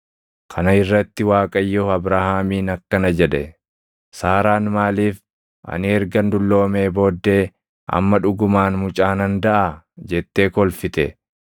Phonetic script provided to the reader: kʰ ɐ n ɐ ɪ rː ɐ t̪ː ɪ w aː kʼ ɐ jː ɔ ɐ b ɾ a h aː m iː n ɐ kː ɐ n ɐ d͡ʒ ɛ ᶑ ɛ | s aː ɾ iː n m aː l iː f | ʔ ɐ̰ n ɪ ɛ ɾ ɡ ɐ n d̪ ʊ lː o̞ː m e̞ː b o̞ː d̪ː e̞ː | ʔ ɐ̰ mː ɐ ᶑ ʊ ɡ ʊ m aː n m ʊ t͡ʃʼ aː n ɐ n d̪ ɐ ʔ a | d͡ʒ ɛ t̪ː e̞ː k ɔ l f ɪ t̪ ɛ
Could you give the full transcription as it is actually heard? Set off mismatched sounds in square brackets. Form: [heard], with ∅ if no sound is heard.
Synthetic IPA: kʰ ɐ n ɐ ɪ rː ɐ t̪ː ɪ w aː kʼ ɐ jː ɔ ɐ b ɾ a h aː m iː n ɐ kː ɐ n ɐ d͡ʒ ɛ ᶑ ɛ | s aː ɾ [aː] n m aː l iː f | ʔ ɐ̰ n ɪ ɛ ɾ ɡ ɐ n d̪ ʊ lː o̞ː m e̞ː b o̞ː d̪ː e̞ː | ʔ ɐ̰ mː ɐ ᶑ ʊ ɡ ʊ m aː n m ʊ t͡ʃʼ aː n ɐ n d̪ ɐ ʔ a | d͡ʒ ɛ t̪ː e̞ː k ɔ l f ɪ t̪ ɛ

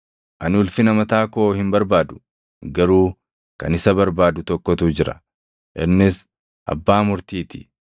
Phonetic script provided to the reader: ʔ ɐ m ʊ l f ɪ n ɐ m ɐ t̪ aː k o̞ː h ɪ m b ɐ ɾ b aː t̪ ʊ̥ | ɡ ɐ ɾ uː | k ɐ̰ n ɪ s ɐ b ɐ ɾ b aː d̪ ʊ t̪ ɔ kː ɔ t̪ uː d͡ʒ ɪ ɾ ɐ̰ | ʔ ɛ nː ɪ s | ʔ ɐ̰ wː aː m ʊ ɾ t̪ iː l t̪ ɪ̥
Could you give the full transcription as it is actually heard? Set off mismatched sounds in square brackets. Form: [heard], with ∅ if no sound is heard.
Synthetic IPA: ʔ ɐ [n] ʊ l f ɪ n ɐ m ɐ t̪ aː k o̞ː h ɪ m b ɐ ɾ b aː [d̪] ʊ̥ | ɡ ɐ ɾ uː | k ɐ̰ n ɪ s ɐ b ɐ ɾ b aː d̪ ʊ t̪ ɔ kː ɔ t̪ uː d͡ʒ ɪ ɾ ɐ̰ | ʔ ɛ nː ɪ s | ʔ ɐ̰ [bː] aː m ʊ ɾ t̪ iː [∅] t̪ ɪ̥

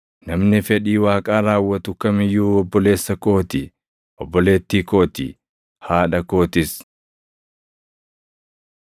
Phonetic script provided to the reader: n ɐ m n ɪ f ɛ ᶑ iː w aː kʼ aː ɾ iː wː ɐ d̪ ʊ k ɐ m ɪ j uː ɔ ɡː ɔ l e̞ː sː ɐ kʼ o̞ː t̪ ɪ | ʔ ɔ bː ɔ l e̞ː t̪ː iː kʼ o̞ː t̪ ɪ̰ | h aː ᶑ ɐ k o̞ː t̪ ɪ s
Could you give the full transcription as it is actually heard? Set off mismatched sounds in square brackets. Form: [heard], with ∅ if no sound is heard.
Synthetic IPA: n ɐ m n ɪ f ɛ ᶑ iː w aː kʼ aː ɾ [aː] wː ɐ [t̪] ʊ k ɐ m ɪ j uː ɔ [bː] ɔ l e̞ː sː ɐ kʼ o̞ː t̪ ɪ | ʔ ɔ bː ɔ l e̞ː t̪ː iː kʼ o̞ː t̪ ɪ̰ | h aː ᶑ ɐ k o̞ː t̪ ɪ s

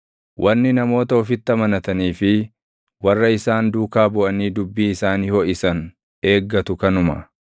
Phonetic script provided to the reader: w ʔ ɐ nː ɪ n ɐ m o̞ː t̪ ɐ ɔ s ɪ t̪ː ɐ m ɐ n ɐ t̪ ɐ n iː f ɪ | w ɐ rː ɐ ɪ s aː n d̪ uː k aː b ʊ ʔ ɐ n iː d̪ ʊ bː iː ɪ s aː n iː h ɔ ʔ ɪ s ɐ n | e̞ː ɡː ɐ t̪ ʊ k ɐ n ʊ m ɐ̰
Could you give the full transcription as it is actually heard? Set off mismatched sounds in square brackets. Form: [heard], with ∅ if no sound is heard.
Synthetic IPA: w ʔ ɐ nː ɪ n ɐ m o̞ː t̪ ɐ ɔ [f] ɪ t̪ː ɐ m ɐ n ɐ t̪ ɐ n iː f ɪ | w ɐ rː ɐ ɪ s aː n d̪ uː k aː b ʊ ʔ ɐ n iː d̪ ʊ bː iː ɪ s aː n iː h ɔ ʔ ɪ s ɐ n | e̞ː ɡː ɐ t̪ ʊ k ɐ n ʊ m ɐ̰

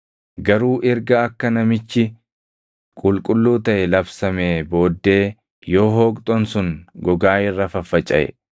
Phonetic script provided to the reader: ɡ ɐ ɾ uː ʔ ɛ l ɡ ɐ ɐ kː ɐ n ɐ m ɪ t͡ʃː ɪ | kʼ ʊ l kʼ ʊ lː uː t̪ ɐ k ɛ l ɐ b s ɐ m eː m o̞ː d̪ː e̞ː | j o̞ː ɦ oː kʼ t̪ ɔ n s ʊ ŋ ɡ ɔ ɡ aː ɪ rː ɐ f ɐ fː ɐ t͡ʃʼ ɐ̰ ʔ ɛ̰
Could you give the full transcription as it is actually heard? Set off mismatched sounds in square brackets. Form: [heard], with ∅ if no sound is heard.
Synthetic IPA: ɡ ɐ ɾ uː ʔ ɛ [ɾ] ɡ ɐ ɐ kː ɐ n ɐ m ɪ t͡ʃː ɪ | kʼ ʊ l kʼ ʊ lː uː t̪ ɐ [ʔ] ɛ l ɐ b s ɐ m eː [b] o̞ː d̪ː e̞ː | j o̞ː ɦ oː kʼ [t̪ʼ] ɔ n s ʊ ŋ ɡ ɔ ɡ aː ɪ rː ɐ f ɐ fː ɐ t͡ʃʼ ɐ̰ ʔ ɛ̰

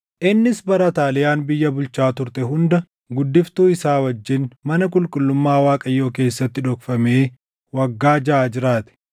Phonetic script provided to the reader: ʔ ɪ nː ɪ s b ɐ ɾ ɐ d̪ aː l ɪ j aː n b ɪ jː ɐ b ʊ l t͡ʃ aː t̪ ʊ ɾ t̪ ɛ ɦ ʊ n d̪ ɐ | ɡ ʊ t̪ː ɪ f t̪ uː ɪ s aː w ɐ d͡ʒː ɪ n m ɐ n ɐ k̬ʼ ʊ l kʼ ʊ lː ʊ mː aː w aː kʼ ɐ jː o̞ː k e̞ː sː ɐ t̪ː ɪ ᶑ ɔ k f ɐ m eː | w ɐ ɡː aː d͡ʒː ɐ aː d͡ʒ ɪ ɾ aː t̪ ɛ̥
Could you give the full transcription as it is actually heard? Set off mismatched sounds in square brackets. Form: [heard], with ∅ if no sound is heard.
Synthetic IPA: ʔ ɪ nː ɪ s b ɐ ɾ ɐ [t̪] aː l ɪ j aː n b ɪ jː ɐ b ʊ l t͡ʃ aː t̪ ʊ ɾ t̪ ɛ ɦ ʊ n d̪ ɐ | ɡ ʊ [d̪ː] ɪ f t̪ uː ɪ s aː w ɐ d͡ʒː ɪ n m ɐ n ɐ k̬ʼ ʊ l kʼ ʊ lː ʊ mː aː w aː kʼ ɐ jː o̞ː k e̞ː sː ɐ t̪ː ɪ ᶑ ɔ k f ɐ m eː | w ɐ ɡː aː [d͡ʒ] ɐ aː d͡ʒ ɪ ɾ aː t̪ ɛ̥

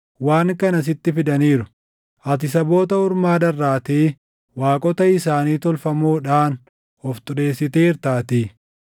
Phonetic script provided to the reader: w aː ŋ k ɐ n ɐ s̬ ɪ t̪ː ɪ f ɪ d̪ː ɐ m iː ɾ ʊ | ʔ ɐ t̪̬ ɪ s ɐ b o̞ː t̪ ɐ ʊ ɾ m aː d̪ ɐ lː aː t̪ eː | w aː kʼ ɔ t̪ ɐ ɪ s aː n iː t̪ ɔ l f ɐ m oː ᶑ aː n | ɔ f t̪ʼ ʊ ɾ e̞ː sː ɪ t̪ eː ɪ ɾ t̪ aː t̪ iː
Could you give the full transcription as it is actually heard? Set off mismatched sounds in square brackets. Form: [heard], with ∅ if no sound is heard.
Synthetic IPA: w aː ŋ k ɐ n ɐ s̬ ɪ t̪ː ɪ f ɪ [d̪] ɐ [n] iː ɾ ʊ | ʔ ɐ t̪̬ ɪ s ɐ b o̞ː t̪ ɐ ʊ ɾ m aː d̪ ɐ [rː] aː t̪ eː | w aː kʼ ɔ t̪ ɐ ɪ s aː n iː t̪ ɔ l f ɐ m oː ᶑ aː n | ɔ f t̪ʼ ʊ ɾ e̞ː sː ɪ t̪ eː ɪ ɾ t̪ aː t̪ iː

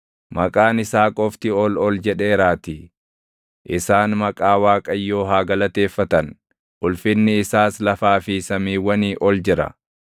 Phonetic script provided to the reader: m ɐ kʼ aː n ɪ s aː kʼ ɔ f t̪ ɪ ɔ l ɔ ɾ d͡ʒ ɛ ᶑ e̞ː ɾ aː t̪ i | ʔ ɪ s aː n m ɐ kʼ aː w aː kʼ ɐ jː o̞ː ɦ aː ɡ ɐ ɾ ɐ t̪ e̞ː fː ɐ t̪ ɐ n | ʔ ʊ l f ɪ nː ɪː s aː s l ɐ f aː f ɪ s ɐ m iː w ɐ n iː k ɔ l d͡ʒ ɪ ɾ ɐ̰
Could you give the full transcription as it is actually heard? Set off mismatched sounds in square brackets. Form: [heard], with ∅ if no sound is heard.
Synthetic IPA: m ɐ kʼ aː n ɪ s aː kʼ ɔ f t̪ ɪ ɔ l ɔ [l] d͡ʒ ɛ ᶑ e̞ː ɾ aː t̪ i | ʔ ɪ s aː n m ɐ kʼ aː w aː kʼ ɐ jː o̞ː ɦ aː ɡ ɐ [l] ɐ t̪ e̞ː fː ɐ t̪ ɐ n | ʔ ʊ l f ɪ nː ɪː s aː s l ɐ f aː f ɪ s ɐ m iː w ɐ n iː [ʔ] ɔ l d͡ʒ ɪ ɾ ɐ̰

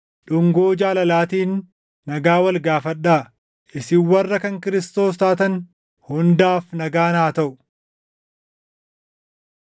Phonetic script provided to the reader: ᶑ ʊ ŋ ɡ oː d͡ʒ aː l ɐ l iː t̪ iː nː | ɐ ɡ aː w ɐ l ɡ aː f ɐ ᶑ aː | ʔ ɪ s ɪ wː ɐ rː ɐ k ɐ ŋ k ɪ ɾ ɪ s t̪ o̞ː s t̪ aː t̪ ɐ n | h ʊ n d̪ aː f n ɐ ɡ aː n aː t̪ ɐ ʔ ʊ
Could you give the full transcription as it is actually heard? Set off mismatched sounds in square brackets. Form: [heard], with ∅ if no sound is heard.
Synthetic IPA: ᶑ ʊ ŋ ɡ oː d͡ʒ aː l ɐ l [aː] t̪ iː nː | ɐ ɡ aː w ɐ l ɡ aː f ɐ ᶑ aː | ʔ ɪ s ɪ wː ɐ rː ɐ k ɐ ŋ k ɪ ɾ ɪ s t̪ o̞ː s t̪ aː t̪ ɐ n | h ʊ n d̪ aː f n ɐ ɡ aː n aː t̪ ɐ ʔ ʊ

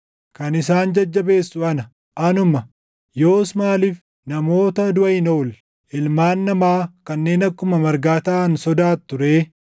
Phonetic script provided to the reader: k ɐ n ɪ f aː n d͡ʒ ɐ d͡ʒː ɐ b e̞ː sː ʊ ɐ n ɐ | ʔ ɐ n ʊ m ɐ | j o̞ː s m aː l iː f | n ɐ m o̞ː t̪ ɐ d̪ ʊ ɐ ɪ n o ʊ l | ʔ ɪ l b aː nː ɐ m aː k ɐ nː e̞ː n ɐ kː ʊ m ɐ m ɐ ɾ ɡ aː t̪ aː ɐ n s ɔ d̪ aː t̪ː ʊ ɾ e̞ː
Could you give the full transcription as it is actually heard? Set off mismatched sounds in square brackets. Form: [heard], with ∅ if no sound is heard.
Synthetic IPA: k ɐ n ɪ [s] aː n d͡ʒ ɐ d͡ʒː ɐ b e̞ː sː ʊ ɐ n ɐ | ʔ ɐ n ʊ m ɐ | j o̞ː s m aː l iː f | n ɐ m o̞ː t̪ ɐ d̪ ʊ ɐ ɪ n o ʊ l | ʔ ɪ l [m] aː nː ɐ m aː k ɐ nː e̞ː n ɐ kː ʊ m ɐ m ɐ ɾ ɡ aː t̪ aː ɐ n s ɔ d̪ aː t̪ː ʊ ɾ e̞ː

